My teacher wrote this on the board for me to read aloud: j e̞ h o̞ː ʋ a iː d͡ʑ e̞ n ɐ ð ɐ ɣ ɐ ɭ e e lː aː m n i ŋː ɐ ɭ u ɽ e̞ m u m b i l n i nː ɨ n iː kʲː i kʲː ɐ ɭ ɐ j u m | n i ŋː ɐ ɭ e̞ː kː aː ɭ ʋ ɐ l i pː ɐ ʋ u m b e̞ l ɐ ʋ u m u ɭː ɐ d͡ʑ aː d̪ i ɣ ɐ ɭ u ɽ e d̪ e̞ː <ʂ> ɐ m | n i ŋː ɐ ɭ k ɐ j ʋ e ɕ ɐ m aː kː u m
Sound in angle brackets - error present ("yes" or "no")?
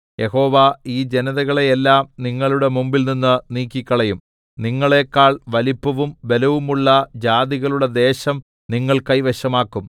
yes